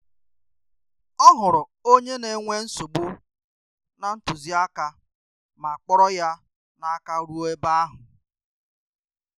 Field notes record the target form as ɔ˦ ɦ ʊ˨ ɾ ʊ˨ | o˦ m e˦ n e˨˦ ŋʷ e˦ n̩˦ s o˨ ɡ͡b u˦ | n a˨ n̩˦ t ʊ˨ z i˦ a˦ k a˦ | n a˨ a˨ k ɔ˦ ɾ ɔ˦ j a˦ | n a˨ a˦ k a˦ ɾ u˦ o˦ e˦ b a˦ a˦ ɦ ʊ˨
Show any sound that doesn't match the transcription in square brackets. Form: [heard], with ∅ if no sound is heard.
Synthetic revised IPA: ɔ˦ ɦ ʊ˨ ɾ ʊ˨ | o˦ [ɲ] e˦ n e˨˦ ŋʷ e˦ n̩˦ s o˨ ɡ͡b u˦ | n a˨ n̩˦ t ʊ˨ z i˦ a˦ k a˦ | [m] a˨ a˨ [k͡p] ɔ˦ ɾ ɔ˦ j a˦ | n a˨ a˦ k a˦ ɾ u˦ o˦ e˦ b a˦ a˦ ɦ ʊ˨

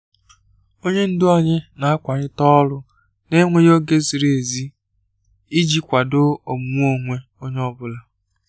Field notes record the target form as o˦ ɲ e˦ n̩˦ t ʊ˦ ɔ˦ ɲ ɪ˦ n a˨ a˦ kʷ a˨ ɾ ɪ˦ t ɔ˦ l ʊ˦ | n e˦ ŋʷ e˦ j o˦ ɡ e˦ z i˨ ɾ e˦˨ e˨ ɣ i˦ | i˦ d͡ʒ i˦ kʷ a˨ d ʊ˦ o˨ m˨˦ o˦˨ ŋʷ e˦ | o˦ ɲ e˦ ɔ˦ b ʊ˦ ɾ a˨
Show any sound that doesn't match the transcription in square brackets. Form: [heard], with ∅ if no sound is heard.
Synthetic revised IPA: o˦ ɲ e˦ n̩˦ [d] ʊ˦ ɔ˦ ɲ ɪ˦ n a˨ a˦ kʷ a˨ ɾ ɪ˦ t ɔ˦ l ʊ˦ | n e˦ ŋʷ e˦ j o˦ ɡ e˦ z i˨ ɾ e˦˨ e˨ [z] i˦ | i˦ d͡ʒ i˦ kʷ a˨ d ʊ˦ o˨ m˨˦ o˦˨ ŋʷ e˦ | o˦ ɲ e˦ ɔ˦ b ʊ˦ [l] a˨

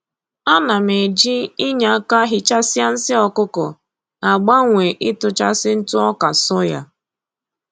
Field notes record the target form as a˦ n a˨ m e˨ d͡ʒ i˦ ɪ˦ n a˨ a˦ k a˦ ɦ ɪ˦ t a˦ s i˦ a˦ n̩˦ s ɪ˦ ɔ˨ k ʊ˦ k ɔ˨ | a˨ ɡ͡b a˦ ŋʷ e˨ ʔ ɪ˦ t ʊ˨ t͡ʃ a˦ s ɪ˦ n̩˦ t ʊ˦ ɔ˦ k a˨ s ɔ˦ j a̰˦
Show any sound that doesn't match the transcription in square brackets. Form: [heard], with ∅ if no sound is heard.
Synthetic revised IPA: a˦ n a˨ m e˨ d͡ʒ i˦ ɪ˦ [ɲ] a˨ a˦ k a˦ ɦ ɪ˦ [t͡ʃ] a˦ s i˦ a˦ n̩˦ s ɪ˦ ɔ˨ k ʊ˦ k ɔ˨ | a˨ ɡ͡b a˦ ŋʷ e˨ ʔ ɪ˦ t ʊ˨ t͡ʃ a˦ s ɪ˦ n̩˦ t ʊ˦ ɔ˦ k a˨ s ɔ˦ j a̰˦

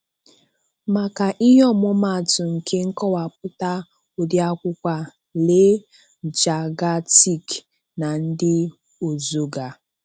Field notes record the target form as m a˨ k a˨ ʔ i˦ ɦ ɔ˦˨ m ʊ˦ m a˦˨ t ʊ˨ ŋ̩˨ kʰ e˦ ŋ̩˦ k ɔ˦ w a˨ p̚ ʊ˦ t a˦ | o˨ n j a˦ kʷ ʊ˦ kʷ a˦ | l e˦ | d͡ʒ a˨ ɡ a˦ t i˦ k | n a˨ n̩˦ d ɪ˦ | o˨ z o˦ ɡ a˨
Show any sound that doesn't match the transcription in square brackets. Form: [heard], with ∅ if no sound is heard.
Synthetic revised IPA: m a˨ k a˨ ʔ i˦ ɦ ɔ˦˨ m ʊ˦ m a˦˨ t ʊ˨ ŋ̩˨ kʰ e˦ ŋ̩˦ k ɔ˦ w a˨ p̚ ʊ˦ t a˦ | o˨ [d] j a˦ kʷ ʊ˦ kʷ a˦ | l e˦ | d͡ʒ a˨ ɡ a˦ t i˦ k | n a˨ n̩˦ d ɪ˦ | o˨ z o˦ ɡ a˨

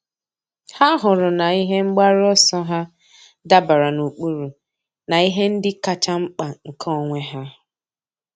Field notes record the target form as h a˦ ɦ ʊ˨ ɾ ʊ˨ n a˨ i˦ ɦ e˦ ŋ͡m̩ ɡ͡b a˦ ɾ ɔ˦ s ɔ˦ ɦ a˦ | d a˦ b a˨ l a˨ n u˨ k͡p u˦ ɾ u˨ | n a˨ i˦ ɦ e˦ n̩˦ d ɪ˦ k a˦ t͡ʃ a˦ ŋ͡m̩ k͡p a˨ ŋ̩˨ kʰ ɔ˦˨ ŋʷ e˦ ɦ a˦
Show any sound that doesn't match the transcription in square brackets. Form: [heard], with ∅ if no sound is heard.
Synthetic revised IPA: h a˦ ɦ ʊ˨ ɾ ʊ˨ n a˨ i˦ ɦ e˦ ŋ͡m̩ ɡ͡b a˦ ɾ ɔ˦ s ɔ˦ ɦ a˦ | d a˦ b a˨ [ɾ] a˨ n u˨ k͡p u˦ ɾ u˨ | n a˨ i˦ ɦ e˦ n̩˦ d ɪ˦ k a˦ t͡ʃ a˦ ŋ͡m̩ k͡p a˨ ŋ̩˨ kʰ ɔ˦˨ ŋʷ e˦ ɦ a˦

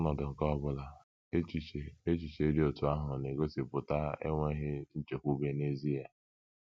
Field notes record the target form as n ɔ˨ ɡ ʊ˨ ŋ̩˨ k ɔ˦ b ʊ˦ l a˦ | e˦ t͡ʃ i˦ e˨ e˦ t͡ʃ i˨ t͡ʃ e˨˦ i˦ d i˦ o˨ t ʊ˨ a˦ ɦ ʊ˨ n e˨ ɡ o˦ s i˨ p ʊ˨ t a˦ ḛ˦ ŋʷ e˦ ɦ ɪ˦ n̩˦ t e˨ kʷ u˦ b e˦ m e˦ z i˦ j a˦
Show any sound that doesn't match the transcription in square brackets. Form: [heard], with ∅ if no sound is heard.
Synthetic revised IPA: n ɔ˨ [d] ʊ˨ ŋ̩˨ k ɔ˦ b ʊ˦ l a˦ | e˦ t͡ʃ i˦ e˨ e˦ t͡ʃ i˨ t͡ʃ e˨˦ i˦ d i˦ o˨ t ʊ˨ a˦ ɦ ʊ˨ n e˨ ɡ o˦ s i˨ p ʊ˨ t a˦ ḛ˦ ŋʷ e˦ ɦ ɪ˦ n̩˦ [t͡ʃ] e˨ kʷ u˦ b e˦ [n] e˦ z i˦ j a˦

